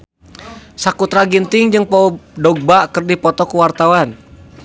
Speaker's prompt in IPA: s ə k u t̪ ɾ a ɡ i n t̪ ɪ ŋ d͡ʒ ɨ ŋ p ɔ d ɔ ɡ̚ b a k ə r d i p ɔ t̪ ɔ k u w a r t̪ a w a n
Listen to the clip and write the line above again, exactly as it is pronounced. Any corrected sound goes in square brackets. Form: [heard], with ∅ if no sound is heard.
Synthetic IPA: s [a] k u t̪ ɾ a ɡ i n t̪ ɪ ŋ d͡ʒ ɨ ŋ p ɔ d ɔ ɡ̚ b a k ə r d i p ɔ t̪ ɔ k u w a r t̪ a w a n